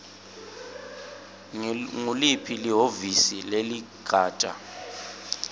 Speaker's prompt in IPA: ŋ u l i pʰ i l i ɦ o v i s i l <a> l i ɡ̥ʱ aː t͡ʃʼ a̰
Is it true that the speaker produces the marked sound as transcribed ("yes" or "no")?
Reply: no